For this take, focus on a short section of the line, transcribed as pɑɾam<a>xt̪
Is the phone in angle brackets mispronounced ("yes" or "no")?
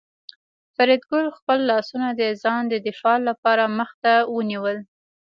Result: yes